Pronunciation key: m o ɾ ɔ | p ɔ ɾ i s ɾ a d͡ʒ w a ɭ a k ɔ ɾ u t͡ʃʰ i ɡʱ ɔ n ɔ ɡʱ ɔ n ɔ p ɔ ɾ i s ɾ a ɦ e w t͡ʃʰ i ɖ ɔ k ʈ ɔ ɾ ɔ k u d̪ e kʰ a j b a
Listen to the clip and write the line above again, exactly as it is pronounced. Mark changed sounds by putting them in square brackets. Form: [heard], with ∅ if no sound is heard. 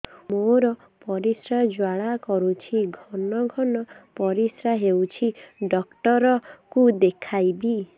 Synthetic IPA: m o ɾ ɔ | p ɔ ɾ i s ɾ a d͡ʒ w a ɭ a k ɔ ɾ u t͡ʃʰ i ɡʱ ɔ n ɔ ɡʱ ɔ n ɔ p ɔ ɾ i s ɾ a ɦ e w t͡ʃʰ i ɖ ɔ k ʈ ɔ ɾ ɔ k u d̪ e kʰ a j b [i]